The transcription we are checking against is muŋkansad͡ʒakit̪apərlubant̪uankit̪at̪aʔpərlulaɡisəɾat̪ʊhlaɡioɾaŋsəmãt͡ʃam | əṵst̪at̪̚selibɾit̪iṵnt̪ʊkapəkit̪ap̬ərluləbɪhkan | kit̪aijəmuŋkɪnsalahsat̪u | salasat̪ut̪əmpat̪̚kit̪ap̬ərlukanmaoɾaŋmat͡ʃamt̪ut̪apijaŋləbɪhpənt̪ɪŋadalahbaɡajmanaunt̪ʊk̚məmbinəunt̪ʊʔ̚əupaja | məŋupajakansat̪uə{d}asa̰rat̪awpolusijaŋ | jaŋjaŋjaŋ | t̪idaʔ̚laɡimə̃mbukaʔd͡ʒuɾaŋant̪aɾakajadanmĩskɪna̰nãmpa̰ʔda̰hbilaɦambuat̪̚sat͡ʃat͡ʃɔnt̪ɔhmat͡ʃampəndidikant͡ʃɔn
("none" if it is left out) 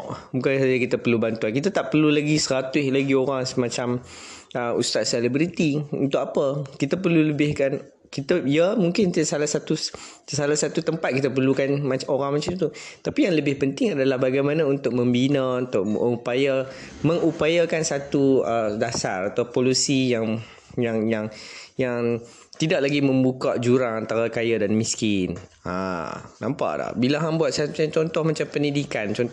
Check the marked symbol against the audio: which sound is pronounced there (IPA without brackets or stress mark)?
d